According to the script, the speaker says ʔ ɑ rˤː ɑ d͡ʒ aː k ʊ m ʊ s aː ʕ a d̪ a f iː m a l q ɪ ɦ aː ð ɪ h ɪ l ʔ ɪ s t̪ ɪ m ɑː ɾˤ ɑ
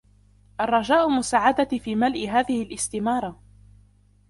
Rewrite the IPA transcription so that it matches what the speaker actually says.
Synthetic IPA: ʔ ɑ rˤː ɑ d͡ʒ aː ʔ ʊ m ʊ s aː ʕ a d̪ a f iː m a l ʔ ɪ ɦ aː ð ɪ h ɪ l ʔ ɪ s t̪ ɪ m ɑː ɾˤ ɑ